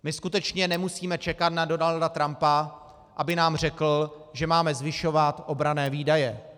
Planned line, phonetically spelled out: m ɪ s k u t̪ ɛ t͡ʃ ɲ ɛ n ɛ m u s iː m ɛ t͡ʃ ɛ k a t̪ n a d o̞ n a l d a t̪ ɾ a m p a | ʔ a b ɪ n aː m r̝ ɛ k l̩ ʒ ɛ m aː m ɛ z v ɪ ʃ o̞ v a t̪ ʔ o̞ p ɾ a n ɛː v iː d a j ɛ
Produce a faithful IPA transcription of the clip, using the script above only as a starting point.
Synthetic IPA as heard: m ɪ s k u t̪ ɛ t͡ʃ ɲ ɛ n ɛ m u s iː m ɛ t͡ʃ ɛ k a t̪ n a d o̞ n a l d a t̪ ɾ a m p a | ʔ a b ɪ n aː m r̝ ɛ k l̩ ʒ ɛ m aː m ɛ z v ɪ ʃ o̞ v a t̪ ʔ o̞ b ɾ a n ɛː v iː d a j ɛ